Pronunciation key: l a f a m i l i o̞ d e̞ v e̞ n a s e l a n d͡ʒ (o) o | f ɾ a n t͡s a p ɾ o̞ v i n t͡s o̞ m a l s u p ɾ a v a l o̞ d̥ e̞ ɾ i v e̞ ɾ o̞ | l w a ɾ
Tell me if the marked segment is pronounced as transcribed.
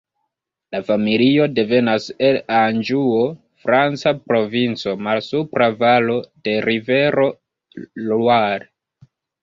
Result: no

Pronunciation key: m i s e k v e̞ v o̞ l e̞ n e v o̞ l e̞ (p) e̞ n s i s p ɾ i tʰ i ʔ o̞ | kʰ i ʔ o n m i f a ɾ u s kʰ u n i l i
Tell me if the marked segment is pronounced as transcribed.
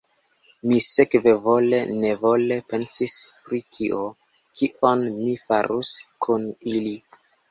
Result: yes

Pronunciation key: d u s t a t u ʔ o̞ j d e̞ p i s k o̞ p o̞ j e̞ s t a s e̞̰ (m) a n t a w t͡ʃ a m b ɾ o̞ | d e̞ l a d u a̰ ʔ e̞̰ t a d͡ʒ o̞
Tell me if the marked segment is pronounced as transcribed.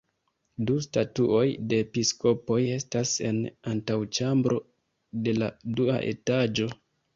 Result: no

